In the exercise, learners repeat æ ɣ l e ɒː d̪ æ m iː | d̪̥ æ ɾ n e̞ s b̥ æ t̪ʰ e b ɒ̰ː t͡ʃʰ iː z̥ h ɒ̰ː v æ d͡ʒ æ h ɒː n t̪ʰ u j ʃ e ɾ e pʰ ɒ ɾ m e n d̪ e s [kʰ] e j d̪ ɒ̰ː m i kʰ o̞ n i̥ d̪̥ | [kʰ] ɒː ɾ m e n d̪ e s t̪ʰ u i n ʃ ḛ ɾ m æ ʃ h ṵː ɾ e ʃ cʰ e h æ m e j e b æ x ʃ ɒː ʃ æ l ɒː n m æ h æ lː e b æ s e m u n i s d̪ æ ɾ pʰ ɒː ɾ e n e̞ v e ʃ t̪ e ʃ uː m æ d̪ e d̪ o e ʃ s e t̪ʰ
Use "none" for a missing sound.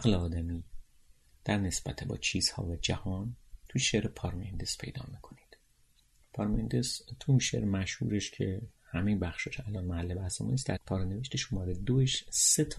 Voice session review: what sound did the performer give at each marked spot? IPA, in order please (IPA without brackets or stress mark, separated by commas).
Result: pʰ, pʰ